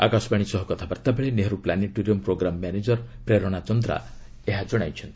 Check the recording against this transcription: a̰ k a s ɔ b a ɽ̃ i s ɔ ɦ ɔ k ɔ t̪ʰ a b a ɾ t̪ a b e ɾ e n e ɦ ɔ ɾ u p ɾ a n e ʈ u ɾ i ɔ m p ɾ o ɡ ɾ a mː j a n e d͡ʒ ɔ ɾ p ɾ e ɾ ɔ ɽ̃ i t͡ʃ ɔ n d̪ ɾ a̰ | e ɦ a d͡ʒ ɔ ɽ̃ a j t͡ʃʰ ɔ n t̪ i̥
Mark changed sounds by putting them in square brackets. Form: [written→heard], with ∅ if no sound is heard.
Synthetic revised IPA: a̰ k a s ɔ b a ɽ̃ i s ɔ ɦ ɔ k ɔ t̪ʰ a b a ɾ t̪ a b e [ɾ→ɭ] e n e ɦ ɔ ɾ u p [ɾ→l] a n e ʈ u ɾ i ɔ m p ɾ o ɡ ɾ a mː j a n e d͡ʒ ɔ ɾ p ɾ e ɾ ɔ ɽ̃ [i→a] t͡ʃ ɔ n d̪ ɾ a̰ | e ɦ a d͡ʒ ɔ ɽ̃ a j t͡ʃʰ ɔ n t̪ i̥

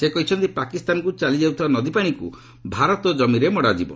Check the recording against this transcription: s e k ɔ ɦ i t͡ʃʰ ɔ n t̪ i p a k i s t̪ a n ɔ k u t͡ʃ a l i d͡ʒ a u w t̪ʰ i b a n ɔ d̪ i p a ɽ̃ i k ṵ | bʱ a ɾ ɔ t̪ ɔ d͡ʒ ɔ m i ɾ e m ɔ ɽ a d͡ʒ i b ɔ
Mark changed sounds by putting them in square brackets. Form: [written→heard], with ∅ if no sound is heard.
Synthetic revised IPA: s e k ɔ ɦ i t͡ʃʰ ɔ n t̪ i p a k i s t̪ a n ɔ k u t͡ʃ a l i d͡ʒ a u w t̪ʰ i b a n ɔ d̪ i p a ɽ̃ i k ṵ | bʱ a ɾ ɔ t̪ ɔ d͡ʒ ɔ m i ɾ e m ɔ ɽ a d͡ʒ i b ɔ

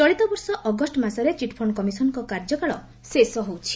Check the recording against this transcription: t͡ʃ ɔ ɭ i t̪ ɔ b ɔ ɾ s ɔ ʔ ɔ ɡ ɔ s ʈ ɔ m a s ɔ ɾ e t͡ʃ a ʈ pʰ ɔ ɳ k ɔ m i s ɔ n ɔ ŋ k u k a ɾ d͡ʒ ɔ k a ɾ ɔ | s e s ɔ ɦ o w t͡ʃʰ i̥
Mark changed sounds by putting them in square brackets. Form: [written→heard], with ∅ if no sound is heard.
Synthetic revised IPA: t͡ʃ ɔ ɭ i t̪ ɔ b ɔ ɾ s ɔ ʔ ɔ ɡ ɔ s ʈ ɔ m a s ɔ ɾ e t͡ʃ [a→i] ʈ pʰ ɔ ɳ k ɔ m i s ɔ n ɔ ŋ k [u→ɔ] k a ɾ d͡ʒ ɔ k a [ɾ→ɭ] ɔ | s e s ɔ ɦ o w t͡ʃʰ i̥

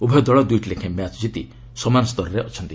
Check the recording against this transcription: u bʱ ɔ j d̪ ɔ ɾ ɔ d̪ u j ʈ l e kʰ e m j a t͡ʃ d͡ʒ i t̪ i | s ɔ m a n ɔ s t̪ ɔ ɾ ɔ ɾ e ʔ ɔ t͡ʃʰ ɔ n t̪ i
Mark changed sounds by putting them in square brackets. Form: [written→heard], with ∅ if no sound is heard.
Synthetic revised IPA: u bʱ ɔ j d̪ ɔ [ɾ→ɭ] ɔ d̪ u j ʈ l e kʰ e m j a t͡ʃ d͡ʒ i t̪ i | s ɔ m a n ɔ s t̪ ɔ ɾ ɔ ɾ e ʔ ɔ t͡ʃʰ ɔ n t̪ i

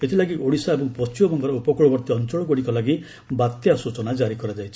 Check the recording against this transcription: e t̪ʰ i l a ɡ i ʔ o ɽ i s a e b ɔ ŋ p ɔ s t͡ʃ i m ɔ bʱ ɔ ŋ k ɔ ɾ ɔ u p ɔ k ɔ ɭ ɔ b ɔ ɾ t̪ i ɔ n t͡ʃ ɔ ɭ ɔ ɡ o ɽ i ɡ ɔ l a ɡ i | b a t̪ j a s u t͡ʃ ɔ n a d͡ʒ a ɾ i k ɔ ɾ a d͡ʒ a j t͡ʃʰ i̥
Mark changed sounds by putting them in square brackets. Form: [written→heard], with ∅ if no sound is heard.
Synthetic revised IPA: e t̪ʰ i l a ɡ i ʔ o ɽ i s a e b ɔ ŋ p ɔ s t͡ʃ i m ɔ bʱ ɔ ŋ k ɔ ɾ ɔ u p ɔ k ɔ ɭ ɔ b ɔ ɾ t̪ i ɔ n t͡ʃ ɔ ɭ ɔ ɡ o ɽ i [ɡ→k] ɔ l a ɡ i | b a t̪ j a s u t͡ʃ ɔ n a d͡ʒ a ɾ i k ɔ ɾ a d͡ʒ a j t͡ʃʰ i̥

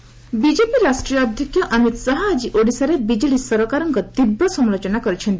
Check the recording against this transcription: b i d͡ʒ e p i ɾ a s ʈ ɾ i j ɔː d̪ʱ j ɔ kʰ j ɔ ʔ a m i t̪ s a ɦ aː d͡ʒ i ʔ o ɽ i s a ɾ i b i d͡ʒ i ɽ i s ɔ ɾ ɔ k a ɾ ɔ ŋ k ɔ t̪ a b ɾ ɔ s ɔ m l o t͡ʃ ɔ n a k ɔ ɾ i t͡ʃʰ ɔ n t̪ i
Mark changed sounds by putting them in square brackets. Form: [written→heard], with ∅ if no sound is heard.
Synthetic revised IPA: b i d͡ʒ e p i ɾ a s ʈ ɾ i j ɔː d̪ʱ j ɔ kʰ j ɔ ʔ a m i t̪ s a ɦ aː d͡ʒ i ʔ o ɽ i s a ɾ [i→e] b i d͡ʒ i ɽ i s ɔ ɾ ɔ k a ɾ ɔ ŋ k ɔ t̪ [a→i] b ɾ ɔ s ɔ m l o t͡ʃ ɔ n a k ɔ ɾ i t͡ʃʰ ɔ n t̪ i

